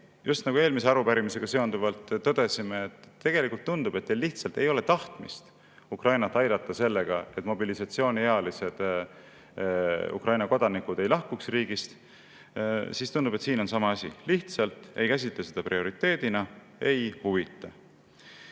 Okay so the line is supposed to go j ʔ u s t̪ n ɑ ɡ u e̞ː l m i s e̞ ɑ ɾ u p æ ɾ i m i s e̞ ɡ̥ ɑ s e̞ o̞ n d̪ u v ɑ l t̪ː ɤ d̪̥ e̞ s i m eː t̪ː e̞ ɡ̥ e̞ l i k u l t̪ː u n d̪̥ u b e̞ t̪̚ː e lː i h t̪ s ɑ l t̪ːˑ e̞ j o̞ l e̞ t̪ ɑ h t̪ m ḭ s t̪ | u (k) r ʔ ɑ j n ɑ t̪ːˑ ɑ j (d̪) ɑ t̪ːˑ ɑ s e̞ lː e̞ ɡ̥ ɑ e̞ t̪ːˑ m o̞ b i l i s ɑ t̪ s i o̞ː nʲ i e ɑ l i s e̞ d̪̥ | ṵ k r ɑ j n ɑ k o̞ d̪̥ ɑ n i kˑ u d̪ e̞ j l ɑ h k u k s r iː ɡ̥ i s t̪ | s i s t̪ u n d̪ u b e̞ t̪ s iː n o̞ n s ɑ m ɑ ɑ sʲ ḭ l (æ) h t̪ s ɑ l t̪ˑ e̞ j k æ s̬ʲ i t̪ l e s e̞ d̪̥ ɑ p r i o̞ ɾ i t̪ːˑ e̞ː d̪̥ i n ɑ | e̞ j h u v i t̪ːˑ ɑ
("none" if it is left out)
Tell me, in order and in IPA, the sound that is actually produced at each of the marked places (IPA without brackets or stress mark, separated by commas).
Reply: k, d̪, i